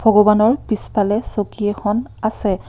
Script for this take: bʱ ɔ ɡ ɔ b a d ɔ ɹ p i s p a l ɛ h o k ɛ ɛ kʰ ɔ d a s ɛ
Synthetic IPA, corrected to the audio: bʱ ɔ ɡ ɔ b a n ɔ ɹ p i s p a l ɛ s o k i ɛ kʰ ɔ n a s ɛ